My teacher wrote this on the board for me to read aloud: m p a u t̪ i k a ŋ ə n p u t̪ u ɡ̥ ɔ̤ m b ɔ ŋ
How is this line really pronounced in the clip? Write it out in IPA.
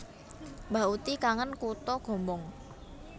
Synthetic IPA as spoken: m b a u t̪ i k a ŋ ə n k u t̪ ɔ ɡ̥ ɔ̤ m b ɔ ŋ